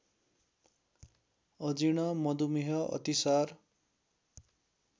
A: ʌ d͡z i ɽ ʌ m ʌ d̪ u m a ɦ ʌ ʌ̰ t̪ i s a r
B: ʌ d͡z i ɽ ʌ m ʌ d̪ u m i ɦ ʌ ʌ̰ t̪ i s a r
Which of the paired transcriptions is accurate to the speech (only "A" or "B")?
B